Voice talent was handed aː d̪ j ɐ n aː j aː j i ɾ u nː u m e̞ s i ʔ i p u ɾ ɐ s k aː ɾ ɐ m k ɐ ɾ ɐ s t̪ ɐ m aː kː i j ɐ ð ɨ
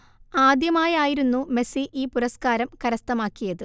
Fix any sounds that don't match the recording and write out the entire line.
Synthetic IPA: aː d̪ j ɐ m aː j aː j i ɾ u nː u m e̞ s i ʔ iː p u ɾ ɐ s k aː ɾ ɐ m k ɐ ɾ ɐ s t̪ ɐ m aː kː i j ɐ ð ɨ

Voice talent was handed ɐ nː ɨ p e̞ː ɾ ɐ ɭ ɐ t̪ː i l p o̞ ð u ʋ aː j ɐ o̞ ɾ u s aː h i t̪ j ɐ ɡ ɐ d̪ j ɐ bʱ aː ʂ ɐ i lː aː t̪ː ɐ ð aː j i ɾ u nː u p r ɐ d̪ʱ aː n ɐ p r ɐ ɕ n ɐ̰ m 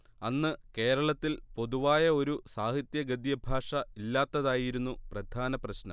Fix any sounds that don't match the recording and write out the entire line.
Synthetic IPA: ɐ nː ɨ k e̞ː ɾ ɐ ɭ ɐ t̪ː i l p o̞ ð u ʋ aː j ɐ o̞ ɾ u s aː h i t̪ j ɐ ɡ ɐ d̪ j ɐ bʱ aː ʂ ɐ i lː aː t̪ː ɐ ð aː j i ɾ u nː u p r ɐ d̪ʱ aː n ɐ p r ɐ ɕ n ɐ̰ m

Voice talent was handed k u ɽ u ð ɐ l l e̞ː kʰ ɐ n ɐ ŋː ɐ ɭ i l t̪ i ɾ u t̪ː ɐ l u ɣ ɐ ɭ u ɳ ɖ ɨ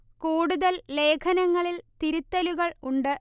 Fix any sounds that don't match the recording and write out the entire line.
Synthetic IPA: k uː ɽ u ð ɐ l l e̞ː kʰ ɐ n ɐ ŋː ɐ ɭ i l t̪ i ɾ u t̪ː ɐ l u ɣ ɐ ɭ u ɳ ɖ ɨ

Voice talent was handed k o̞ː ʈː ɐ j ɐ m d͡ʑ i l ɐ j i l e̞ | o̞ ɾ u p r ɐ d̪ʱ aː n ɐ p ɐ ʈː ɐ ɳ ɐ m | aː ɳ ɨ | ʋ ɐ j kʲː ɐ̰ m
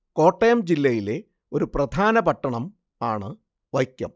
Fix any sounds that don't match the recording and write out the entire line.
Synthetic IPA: k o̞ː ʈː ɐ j ɐ m d͡ʑ i lː ɐ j i l e̞ | o̞ ɾ u p r ɐ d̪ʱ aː n ɐ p ɐ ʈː ɐ ɳ ɐ m | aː ɳ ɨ | ʋ ɐ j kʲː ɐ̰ m

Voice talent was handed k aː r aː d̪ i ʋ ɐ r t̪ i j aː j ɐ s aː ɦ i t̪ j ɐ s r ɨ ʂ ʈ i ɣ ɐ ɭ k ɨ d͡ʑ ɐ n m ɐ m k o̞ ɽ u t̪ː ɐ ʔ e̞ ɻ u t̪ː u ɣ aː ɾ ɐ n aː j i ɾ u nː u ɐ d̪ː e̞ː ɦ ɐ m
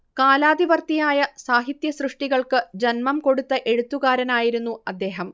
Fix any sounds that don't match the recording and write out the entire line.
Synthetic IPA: k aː l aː d̪ i ʋ ɐ r t̪ i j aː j ɐ s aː ɦ i t̪ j ɐ s r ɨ ʂ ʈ i ɣ ɐ ɭ k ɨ d͡ʑ ɐ n m ɐ m k o̞ ɽ u t̪ː ɐ ʔ e̞ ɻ u t̪ː u ɣ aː ɾ ɐ n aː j i ɾ u nː u ɐ d̪ː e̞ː ɦ ɐ m

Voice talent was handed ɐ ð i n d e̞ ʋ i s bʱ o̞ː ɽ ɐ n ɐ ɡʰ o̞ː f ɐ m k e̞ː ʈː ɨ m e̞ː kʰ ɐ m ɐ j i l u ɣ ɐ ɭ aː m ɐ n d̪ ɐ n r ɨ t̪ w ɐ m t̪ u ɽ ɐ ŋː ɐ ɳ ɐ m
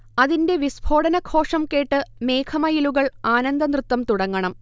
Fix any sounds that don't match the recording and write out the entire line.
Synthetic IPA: ɐ ð i n d e̞ ʋ i s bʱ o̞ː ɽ ɐ n ɐ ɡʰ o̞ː ʂ ɐ m k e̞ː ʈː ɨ m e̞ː kʰ ɐ m ɐ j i l u ɣ ɐ ɭ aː n ɐ n d̪ ɐ n r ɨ t̪ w ɐ m t̪ u ɽ ɐ ŋː ɐ ɳ ɐ m

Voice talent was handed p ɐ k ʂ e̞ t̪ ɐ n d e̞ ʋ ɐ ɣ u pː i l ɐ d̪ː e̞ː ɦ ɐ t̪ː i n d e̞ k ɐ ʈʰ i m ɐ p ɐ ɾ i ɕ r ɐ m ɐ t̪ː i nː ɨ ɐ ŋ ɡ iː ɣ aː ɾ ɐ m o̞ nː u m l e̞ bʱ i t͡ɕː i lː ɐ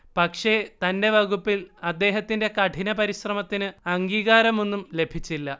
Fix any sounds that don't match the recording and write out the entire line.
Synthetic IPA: p ɐ k ʂ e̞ t̪ ɐ n d e̞ ʋ ɐ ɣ u pː i l ɐ d̪ː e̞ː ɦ ɐ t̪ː i n d e̞ k ɐ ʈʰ i n ɐ p ɐ ɾ i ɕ r ɐ m ɐ t̪ː i n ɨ ɐ ŋ ɡ iː ɣ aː ɾ ɐ m o̞ nː u m l e̞ bʱ i t͡ɕː i lː ɐ

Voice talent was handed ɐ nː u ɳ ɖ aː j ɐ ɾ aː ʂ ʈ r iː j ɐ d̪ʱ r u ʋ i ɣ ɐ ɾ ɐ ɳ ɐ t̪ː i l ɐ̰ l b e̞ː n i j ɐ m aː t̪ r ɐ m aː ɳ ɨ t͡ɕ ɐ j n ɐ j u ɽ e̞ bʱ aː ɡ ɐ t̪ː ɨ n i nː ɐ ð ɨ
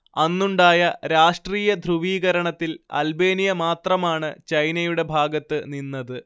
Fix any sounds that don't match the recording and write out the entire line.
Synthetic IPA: ɐ nː u ɳ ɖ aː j ɐ ɾ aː ʂ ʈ r iː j ɐ d̪ʱ r u ʋ iː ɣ ɐ ɾ ɐ ɳ ɐ t̪ː i l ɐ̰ l b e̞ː n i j ɐ m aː t̪ r ɐ m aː ɳ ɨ t͡ɕ ɐ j n ɐ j u ɽ e̞ bʱ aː ɡ ɐ t̪ː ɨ n i nː ɐ ð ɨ

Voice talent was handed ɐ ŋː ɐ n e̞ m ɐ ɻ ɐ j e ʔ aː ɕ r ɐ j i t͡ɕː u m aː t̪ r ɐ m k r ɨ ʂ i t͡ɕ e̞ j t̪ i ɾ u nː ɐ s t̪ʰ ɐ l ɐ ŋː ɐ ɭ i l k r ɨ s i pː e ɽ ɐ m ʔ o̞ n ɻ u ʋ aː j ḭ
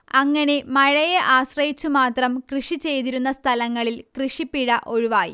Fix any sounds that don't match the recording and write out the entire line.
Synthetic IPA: ɐ ŋː ɐ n e̞ m ɐ ɻ ɐ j e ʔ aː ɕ r ɐ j i t͡ɕː u m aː t̪ r ɐ m k r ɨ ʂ i t͡ɕ e̞ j t̪ i ɾ u nː ɐ s t̪ʰ ɐ l ɐ ŋː ɐ ɭ i l k r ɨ ʂ i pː i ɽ ɐ ʔ o̞ ɻ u ʋ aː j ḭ

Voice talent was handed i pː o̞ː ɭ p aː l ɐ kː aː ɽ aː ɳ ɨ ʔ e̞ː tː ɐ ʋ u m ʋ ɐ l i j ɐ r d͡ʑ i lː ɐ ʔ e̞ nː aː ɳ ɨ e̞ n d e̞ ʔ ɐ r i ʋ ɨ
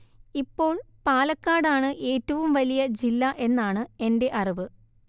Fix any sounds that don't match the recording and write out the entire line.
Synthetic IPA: i pː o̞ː ɭ p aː l ɐ kː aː ɽ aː ɳ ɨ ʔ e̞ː tː ɐ ʋ u m ʋ ɐ l i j ɐ d͡ʑ i lː ɐ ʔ e̞ nː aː ɳ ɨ e̞ n d e̞ ʔ ɐ r i ʋ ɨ

